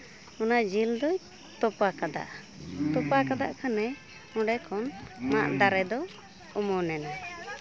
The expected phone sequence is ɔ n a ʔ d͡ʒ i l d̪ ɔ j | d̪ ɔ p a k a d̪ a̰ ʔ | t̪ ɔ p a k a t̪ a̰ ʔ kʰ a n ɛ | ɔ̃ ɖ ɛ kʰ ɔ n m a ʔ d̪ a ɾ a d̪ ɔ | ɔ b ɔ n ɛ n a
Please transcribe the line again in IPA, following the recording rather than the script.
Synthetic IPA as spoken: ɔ n a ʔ d͡ʒ i l d̪ ɔ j | t̪ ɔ p a k a d̪ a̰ ʔ | t̪ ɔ p a k a d̪ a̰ ʔ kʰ a n ɛ | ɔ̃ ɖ ɛ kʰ ɔ n m a ʔ d̪ a ɾ ɛ d̪ ɔ | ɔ m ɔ n ɛ n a